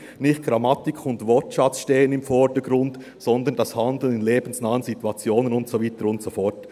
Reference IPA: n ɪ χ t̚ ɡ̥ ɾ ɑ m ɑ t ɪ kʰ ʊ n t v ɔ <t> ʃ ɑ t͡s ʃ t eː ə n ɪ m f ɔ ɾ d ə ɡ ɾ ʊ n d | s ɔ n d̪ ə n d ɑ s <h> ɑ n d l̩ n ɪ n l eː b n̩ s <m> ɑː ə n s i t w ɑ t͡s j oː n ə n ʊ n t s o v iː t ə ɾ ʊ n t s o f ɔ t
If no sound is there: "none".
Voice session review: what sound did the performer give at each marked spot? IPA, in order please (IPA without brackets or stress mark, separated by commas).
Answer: t, h, n